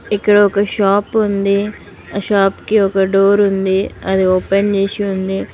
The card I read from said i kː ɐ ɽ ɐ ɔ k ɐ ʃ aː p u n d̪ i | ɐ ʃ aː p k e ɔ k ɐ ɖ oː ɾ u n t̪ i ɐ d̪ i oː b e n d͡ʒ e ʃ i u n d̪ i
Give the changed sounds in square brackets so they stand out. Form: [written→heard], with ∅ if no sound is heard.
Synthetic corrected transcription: i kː ɐ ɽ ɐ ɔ k ɐ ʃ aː p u n d̪ i | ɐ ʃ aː p k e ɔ k ɐ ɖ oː ɾ u n [t̪→d̪] i ɐ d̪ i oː [b→p] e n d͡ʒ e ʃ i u n d̪ i

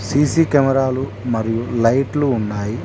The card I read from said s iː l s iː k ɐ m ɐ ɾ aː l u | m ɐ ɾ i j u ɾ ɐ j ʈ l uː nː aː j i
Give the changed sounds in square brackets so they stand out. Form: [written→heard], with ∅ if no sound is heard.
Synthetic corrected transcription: s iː [l→∅] s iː k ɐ m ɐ ɾ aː l u | m ɐ ɾ i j u [ɾ→l] ɐ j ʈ l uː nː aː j i

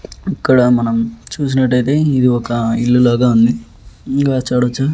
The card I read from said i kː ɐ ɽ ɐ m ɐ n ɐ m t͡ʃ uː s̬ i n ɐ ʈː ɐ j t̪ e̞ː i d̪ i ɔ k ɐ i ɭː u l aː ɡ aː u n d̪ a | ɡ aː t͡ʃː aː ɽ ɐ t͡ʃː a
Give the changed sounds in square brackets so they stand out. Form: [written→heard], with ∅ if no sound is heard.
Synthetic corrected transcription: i kː ɐ ɽ ɐ m ɐ n ɐ m t͡ʃ uː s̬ i n ɐ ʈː ɐ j t̪ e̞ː i d̪ i ɔ k ɐ i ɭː u l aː ɡ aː u n d̪ [a→i] | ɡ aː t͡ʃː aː ɽ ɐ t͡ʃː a

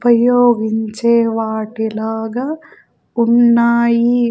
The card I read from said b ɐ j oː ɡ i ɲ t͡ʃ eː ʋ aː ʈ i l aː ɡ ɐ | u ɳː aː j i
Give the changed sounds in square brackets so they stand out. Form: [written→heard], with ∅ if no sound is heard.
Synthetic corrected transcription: [b→p] ɐ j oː ɡ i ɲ t͡ʃ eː ʋ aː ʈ i l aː ɡ ɐ | u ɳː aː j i

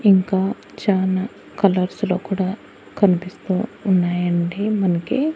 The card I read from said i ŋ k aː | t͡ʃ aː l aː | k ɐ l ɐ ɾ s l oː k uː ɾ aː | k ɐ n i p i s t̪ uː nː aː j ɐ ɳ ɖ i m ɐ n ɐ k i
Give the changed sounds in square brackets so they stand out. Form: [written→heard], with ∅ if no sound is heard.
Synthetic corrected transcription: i ŋ k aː | t͡ʃ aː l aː | k ɐ l ɐ ɾ s l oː k uː [ɾ→ɽ] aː | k ɐ n i p i s t̪ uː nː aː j ɐ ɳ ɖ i m ɐ n ɐ k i

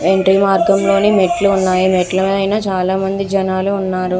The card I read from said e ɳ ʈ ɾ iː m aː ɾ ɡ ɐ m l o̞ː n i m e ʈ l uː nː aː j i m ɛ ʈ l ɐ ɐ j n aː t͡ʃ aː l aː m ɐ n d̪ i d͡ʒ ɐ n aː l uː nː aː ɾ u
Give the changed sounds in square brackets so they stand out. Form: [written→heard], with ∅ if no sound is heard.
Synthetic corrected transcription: e ɳ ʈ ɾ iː m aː ɾ ɡ ɐ m l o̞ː n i m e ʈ l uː nː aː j i m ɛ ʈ l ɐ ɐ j n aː t͡ʃ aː l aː m ɐ n d̪ i d͡ʒ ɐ n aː l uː nː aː ɾ u

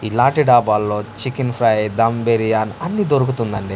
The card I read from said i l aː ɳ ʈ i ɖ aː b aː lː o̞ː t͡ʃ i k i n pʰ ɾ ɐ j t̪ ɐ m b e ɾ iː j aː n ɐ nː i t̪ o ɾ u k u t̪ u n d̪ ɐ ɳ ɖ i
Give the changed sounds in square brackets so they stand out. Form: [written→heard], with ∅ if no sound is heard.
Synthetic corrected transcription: i l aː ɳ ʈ i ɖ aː b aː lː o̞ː t͡ʃ i k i n pʰ ɾ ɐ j [t̪→d̪] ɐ m b e ɾ [iː→i] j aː n ɐ nː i [t̪→d̪] o ɾ u k u t̪ u n d̪ ɐ ɳ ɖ i

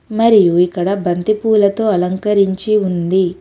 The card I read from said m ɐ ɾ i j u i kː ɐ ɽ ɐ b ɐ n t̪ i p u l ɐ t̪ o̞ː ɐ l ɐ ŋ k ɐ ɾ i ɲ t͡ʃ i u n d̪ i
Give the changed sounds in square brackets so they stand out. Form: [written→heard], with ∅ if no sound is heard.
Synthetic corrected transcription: m ɐ ɾ i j u i kː ɐ ɽ ɐ b ɐ n t̪ i p [u→uː] l ɐ t̪ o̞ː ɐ l ɐ ŋ k ɐ ɾ i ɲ t͡ʃ i u n d̪ i

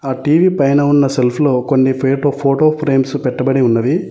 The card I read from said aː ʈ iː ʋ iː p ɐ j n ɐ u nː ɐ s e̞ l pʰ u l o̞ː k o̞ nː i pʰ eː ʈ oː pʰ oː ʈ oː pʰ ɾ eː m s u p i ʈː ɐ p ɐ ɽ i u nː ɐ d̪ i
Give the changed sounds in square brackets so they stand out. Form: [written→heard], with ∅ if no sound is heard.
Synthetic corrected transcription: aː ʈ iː ʋ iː p ɐ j n ɐ u nː ɐ s e̞ l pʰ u l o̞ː k o̞ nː i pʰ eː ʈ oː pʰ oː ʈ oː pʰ ɾ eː m s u p [i→ɛ] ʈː ɐ [p→b] ɐ ɽ i u nː ɐ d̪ i

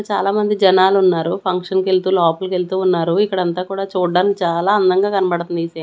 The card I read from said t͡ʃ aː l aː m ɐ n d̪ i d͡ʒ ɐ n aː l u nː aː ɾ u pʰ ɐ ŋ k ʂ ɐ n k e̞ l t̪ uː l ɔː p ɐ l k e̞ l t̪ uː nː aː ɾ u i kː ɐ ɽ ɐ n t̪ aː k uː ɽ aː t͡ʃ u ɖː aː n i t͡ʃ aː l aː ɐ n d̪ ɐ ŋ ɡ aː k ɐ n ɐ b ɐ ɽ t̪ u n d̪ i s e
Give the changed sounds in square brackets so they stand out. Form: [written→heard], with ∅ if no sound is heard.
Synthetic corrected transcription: t͡ʃ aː l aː m ɐ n d̪ i d͡ʒ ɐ n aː l u nː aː ɾ u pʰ ɐ ŋ k ʂ ɐ n k e̞ l t̪ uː l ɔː p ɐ l k e̞ l t̪ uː nː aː ɾ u i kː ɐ ɽ ɐ n t̪ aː k uː ɽ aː t͡ʃ [u→uː] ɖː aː n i t͡ʃ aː l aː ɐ n d̪ ɐ ŋ ɡ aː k ɐ n ɐ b ɐ ɽ t̪ u n d̪ i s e

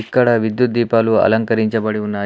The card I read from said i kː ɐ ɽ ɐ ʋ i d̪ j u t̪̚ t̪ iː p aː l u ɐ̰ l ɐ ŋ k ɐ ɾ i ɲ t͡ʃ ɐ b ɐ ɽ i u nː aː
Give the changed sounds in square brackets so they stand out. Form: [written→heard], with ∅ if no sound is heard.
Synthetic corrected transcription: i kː ɐ ɽ ɐ ʋ i d̪ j u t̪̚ [t̪→d̪] iː p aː l u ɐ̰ l ɐ ŋ k ɐ ɾ i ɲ t͡ʃ ɐ b ɐ ɽ i u nː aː

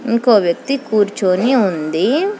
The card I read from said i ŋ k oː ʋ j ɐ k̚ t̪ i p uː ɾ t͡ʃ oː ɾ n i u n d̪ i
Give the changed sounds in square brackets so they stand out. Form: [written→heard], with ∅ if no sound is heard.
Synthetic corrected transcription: i ŋ k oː ʋ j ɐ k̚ t̪ i [p→k] uː ɾ t͡ʃ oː [ɾ→∅] n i u n d̪ i

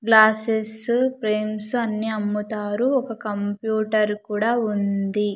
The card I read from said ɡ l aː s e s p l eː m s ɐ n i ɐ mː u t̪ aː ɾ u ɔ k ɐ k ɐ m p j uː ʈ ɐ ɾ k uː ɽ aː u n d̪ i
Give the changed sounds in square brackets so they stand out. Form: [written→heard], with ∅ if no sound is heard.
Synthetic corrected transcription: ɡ l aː s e s p [l→ɾ] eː m s ɐ [n→nː] i ɐ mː u t̪ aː ɾ u ɔ k ɐ k ɐ m p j uː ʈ ɐ ɾ k uː ɽ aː u n d̪ i

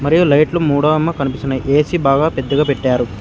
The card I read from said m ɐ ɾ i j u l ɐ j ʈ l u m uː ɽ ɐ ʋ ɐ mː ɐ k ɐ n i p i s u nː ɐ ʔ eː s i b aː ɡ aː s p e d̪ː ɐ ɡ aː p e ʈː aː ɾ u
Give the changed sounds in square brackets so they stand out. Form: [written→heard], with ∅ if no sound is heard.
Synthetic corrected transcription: m ɐ ɾ i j u l ɐ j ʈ l u m uː ɽ ɐ ʋ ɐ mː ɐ k ɐ n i p i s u [nː→n] ɐ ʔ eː s i b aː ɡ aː [s→∅] p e d̪ː ɐ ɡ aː p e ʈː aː ɾ u

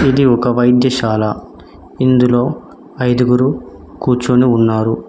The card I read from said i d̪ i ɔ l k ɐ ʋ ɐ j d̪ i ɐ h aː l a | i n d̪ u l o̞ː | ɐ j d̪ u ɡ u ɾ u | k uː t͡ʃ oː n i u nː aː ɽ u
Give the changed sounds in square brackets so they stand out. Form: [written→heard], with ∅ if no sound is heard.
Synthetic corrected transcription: i d̪ i ɔ [l→∅] k ɐ ʋ ɐ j d̪ [i→j] ɐ [h→ʃ] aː l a | i n d̪ u l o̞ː | ɐ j d̪ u ɡ u ɾ u | k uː t͡ʃ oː n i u nː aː [ɽ→ɾ] u

